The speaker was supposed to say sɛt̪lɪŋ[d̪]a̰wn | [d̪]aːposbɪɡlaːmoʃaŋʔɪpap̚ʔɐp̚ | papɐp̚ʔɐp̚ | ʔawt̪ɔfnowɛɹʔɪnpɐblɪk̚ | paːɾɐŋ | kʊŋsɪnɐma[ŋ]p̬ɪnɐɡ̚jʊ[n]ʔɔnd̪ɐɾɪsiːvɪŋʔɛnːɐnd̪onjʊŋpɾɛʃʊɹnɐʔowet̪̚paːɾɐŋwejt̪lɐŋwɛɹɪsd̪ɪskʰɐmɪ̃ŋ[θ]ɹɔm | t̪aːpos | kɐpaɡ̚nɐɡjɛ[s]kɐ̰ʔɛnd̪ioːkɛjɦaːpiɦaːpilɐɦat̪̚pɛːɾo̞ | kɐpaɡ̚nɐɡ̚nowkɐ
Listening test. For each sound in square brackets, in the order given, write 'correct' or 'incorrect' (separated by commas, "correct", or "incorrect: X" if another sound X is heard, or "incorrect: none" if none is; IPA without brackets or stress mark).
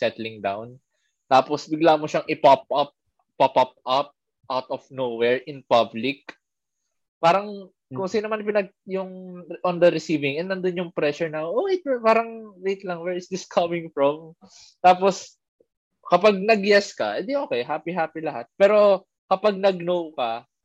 correct, incorrect: t̪, incorrect: n, incorrect: ŋ, incorrect: f, correct